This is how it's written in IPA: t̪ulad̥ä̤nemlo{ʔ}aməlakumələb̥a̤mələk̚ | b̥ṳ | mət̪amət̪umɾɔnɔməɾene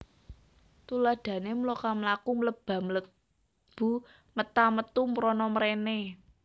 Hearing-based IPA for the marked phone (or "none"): k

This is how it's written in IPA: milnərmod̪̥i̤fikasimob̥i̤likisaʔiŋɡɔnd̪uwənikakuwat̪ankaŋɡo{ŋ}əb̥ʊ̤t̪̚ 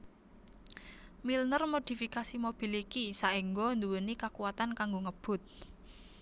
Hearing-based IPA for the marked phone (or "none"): ŋ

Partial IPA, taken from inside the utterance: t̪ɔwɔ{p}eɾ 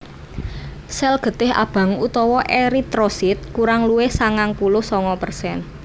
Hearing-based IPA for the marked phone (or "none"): ʔ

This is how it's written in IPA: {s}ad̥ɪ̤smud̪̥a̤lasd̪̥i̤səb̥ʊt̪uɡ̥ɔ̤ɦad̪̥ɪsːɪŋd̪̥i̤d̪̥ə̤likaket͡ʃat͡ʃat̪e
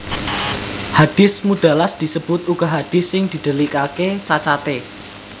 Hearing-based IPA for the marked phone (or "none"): h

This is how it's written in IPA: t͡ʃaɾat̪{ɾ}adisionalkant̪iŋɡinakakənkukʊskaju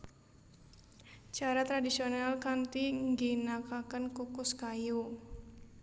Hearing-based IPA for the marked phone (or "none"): ɾ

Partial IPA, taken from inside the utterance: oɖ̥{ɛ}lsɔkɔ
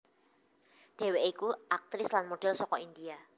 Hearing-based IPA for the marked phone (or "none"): ɛ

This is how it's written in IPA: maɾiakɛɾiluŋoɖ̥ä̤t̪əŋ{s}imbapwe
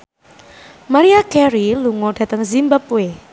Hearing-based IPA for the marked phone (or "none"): z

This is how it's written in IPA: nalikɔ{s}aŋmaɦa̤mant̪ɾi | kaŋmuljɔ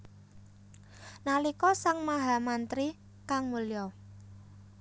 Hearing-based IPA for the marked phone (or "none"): s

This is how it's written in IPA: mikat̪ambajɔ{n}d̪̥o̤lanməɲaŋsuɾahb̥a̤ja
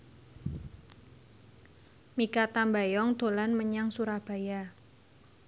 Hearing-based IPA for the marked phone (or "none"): ŋ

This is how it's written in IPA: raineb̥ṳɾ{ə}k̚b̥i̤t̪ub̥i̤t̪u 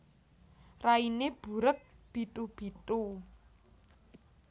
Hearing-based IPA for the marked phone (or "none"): ə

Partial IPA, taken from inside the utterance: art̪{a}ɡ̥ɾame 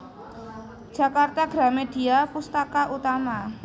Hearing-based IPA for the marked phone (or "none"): a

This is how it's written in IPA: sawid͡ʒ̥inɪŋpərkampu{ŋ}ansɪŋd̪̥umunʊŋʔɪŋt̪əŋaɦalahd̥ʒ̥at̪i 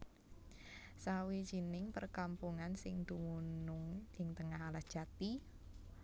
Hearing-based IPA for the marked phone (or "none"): ŋ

